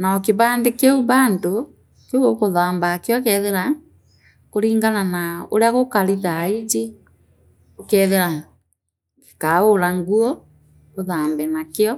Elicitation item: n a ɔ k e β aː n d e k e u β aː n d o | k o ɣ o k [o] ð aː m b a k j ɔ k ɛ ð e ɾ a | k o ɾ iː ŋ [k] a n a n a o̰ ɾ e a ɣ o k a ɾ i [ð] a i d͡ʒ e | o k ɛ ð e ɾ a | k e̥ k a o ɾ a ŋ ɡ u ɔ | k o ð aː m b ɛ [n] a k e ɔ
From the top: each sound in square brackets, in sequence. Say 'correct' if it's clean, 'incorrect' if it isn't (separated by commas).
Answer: correct, incorrect, correct, correct